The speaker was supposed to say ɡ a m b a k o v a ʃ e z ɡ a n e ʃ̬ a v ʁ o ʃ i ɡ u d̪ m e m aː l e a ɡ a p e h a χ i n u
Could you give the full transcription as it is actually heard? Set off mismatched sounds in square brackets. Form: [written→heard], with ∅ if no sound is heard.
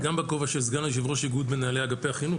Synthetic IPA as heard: ɡ a m b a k o v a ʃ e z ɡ a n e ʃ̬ [a→i] v ʁ o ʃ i ɡ u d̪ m e [m→n] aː l e a ɡ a p e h a χ i n u